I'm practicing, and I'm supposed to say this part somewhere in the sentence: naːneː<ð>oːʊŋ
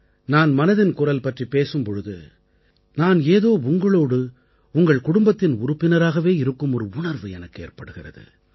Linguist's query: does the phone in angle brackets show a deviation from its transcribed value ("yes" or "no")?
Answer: no